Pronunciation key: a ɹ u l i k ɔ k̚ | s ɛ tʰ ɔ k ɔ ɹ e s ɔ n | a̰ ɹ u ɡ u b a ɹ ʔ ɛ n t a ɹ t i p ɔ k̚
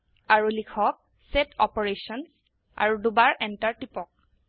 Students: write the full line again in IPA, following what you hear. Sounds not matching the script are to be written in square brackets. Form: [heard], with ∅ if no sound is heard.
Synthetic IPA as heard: a ɹ u l i [kʰ] ɔ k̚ | s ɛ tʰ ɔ [p] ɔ ɹ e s ɔ n | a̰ ɹ u [d] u b a ɹ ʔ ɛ n t a ɹ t i p ɔ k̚